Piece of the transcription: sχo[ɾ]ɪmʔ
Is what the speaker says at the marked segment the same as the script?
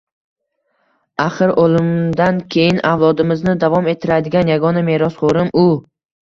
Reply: yes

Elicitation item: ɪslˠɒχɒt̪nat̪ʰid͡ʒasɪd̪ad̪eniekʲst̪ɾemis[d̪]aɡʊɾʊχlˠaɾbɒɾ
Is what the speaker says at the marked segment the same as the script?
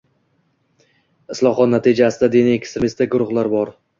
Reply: no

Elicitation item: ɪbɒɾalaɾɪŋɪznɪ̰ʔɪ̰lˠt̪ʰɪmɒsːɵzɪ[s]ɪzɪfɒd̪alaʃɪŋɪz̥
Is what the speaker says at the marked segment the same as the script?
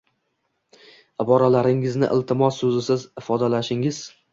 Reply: yes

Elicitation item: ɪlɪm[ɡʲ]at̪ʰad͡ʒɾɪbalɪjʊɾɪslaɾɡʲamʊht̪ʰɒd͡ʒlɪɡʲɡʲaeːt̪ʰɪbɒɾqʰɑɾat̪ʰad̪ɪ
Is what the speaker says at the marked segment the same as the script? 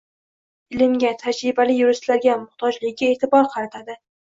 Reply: yes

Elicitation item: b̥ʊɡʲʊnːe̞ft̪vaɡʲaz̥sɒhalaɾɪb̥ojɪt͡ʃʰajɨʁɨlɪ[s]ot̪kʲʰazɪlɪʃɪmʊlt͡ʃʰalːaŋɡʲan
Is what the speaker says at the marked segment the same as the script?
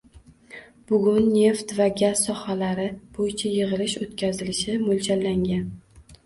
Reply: no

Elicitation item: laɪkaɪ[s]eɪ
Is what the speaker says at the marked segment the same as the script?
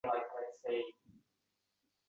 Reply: yes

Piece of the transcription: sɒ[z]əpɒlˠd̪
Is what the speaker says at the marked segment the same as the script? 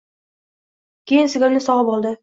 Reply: no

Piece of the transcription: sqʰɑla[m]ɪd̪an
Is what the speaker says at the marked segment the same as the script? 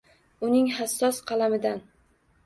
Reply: yes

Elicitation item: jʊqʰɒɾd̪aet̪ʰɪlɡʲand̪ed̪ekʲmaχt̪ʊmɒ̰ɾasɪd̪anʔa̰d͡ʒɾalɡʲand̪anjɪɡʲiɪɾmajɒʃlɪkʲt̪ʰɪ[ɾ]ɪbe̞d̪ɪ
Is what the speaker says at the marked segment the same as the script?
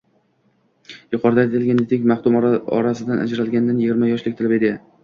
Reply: no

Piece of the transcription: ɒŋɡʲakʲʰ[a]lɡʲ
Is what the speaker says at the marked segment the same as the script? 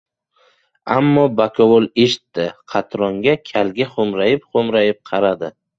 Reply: yes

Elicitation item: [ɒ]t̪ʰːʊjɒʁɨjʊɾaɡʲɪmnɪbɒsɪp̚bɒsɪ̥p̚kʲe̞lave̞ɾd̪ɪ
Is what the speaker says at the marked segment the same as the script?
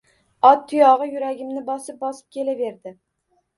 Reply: yes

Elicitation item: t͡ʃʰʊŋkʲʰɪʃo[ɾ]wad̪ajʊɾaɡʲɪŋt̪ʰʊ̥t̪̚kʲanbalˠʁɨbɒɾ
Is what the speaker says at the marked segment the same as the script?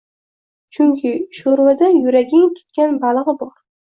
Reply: yes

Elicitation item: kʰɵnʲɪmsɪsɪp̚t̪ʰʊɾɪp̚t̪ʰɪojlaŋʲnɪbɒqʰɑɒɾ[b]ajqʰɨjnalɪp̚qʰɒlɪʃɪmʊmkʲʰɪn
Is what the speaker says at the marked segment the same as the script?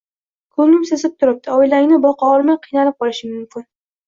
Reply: no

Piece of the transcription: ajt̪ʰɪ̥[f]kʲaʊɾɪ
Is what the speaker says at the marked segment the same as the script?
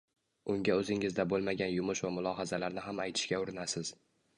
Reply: no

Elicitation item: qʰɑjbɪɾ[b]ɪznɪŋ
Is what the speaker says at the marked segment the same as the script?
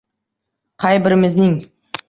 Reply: no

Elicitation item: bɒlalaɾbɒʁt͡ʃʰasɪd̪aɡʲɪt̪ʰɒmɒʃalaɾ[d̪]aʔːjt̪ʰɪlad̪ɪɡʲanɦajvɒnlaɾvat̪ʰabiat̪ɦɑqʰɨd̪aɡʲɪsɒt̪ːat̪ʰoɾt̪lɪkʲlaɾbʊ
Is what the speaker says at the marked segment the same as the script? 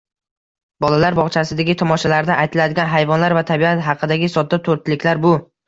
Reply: yes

